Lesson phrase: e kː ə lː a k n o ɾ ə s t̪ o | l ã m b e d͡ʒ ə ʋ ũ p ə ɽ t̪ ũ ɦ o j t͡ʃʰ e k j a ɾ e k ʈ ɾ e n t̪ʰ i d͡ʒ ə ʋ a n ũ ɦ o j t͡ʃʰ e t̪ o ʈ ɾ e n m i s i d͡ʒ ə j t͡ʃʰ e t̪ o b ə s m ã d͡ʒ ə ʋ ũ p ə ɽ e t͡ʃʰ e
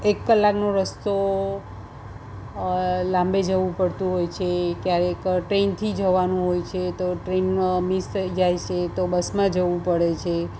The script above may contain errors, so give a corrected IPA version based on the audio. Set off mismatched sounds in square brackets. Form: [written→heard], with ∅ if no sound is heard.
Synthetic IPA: e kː ə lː a k n o ɾ ə s t̪ o | l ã m b e d͡ʒ ə ʋ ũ p ə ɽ t̪ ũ ɦ o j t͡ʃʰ e k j a ɾ e k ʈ ɾ e n t̪ʰ i d͡ʒ ə ʋ a n ũ ɦ o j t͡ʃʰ e t̪ o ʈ ɾ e n m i s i d͡ʒ [ə→a] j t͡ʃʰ e t̪ o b ə s m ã d͡ʒ ə ʋ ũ p ə ɽ e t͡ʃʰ e